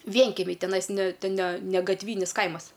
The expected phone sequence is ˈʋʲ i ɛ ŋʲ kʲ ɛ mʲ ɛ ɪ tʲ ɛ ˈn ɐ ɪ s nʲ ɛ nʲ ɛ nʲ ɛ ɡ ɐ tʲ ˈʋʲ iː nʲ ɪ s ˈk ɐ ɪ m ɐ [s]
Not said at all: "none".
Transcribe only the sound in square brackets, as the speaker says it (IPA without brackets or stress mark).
s